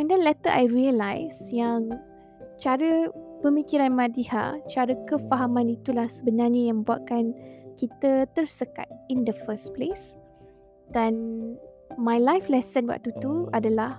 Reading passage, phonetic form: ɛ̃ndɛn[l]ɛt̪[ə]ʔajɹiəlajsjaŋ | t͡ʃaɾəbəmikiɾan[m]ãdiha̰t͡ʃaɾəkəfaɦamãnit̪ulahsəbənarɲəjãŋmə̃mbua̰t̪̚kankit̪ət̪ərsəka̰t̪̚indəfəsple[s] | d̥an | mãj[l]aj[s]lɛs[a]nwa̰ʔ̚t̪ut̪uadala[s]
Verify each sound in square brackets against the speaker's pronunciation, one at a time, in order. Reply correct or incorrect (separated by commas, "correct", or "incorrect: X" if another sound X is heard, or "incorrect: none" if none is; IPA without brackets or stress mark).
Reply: correct, correct, correct, correct, correct, incorrect: f, incorrect: ə, incorrect: h